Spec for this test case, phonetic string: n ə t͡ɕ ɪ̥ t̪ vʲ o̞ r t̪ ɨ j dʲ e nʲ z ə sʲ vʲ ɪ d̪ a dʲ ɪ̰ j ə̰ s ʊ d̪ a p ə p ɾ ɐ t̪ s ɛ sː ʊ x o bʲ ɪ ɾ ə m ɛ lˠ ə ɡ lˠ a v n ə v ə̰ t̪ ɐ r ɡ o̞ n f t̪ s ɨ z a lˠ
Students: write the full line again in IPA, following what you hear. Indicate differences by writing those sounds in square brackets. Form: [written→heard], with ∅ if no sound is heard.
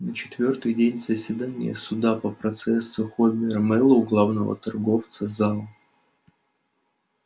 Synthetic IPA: n ə t͡ɕ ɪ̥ t̪ vʲ o̞ r t̪ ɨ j dʲ e nʲ z ə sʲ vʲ ɪ d̪ a [dʲ→nʲ] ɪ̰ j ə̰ s ʊ d̪ a p ə p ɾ ɐ t̪ s ɛ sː ʊ x o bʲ ɪ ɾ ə m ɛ lˠ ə ɡ lˠ a v n ə v ə̰ t̪ ɐ r ɡ o̞ [n→∅] f t̪ s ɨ z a lˠ